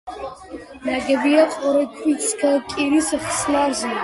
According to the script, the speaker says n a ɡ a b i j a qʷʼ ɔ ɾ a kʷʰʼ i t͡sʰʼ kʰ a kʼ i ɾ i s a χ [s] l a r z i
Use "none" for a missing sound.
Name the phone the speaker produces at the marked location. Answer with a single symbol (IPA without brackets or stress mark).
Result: s